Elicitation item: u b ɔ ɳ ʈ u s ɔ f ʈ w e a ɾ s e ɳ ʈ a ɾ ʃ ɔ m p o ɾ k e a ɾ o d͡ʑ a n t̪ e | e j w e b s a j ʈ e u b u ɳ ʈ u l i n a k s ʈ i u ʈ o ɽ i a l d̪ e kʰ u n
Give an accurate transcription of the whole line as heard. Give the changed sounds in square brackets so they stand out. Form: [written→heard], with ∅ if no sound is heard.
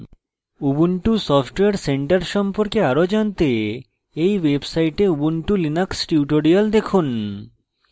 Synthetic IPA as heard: u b [ɔ→u] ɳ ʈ u s ɔ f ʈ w e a ɾ s e ɳ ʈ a ɾ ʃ ɔ m p o ɾ k e a ɾ o d͡ʑ a n t̪ e | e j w e b s a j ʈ e u b u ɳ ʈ u l i n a k s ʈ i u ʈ o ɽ i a l d̪ e kʰ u n